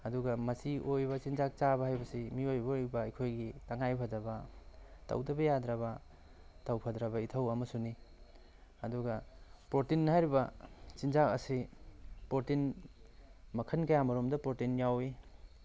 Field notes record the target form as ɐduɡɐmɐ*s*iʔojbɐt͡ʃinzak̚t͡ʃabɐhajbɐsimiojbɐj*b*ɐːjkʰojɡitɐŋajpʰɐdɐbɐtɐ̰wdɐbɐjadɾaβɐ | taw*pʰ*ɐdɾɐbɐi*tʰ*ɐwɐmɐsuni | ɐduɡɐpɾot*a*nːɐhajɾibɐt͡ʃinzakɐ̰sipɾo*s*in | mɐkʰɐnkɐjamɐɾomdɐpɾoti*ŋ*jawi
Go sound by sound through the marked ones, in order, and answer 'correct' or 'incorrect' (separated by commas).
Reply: correct, correct, correct, correct, incorrect, incorrect, incorrect